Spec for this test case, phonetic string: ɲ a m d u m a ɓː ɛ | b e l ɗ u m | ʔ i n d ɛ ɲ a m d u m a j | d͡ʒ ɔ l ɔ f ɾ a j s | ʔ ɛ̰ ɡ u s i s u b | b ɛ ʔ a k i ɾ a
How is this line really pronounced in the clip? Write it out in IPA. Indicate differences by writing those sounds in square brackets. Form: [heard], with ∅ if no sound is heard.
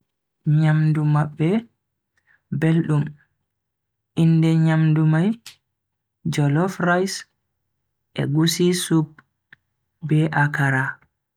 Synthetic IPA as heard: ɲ a m d u m a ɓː ɛ | b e l ɗ u m | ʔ i n d ɛ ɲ a m d u m a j | d͡ʒ ɔ l ɔ f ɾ a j s | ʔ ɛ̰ ɡ u s i s u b | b ɛ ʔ a k [a] ɾ a